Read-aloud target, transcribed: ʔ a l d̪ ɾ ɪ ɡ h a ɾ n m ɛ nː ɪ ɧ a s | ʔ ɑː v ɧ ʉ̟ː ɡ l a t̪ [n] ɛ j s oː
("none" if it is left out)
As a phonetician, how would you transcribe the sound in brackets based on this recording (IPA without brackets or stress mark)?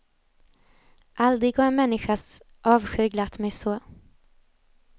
m